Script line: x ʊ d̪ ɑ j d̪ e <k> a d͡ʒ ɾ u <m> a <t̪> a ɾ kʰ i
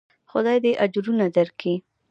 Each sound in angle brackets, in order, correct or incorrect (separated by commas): incorrect, incorrect, incorrect